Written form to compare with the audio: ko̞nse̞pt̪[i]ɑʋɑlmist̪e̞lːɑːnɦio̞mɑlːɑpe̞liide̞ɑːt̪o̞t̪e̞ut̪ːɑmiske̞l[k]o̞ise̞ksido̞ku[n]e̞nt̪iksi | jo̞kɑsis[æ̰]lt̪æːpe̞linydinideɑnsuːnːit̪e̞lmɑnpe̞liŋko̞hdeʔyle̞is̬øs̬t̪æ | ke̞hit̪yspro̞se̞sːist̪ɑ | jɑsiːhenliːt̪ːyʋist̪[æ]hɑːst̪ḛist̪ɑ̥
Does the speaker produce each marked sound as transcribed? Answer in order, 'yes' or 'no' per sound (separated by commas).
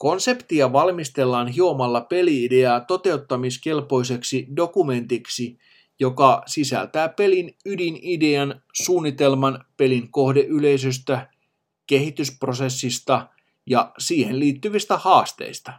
yes, no, no, yes, yes